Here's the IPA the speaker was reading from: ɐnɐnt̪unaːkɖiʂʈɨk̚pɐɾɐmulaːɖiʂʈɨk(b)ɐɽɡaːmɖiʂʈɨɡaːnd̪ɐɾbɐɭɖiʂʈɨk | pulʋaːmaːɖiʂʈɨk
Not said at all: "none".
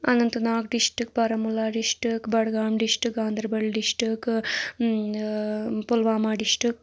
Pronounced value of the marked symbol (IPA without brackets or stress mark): b